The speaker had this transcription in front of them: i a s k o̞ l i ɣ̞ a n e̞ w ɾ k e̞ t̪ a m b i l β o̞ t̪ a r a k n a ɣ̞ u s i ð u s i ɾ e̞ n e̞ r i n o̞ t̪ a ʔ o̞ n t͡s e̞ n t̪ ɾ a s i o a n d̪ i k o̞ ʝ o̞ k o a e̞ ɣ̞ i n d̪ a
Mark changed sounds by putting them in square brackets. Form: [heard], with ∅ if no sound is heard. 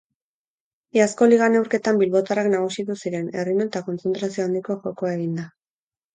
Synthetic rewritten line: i a s k o̞ l i ɣ̞ a n e̞ w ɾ k e̞ t̪ a m b i l β o̞ t̪ a r a k n a ɣ̞ u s i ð u s i ɾ e̞ n e̞ r i n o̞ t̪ a [k] o̞ n t͡s e̞ n t̪ ɾ a s i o a n d̪ i k o̞ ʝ o̞ k o a e̞ ɣ̞ i n d̪ a